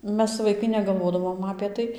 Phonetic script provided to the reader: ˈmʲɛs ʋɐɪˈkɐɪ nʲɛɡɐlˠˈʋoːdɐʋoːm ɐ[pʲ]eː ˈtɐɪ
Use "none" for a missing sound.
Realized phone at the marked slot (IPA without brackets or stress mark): pʲ